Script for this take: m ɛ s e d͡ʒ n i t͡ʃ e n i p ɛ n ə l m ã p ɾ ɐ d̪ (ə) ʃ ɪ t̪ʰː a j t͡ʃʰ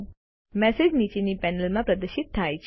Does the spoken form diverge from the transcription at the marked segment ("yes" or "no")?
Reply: no